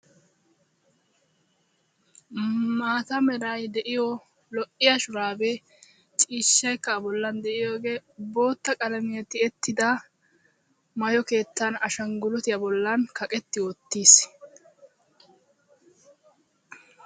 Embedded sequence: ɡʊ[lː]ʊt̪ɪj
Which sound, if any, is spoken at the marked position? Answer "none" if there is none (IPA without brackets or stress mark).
l